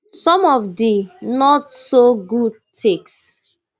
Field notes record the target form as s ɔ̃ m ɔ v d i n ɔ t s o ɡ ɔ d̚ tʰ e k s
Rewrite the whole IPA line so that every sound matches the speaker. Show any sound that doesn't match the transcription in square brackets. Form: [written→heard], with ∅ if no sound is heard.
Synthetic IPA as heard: s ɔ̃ m ɔ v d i n ɔ t s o ɡ [ɔ→u] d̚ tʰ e k s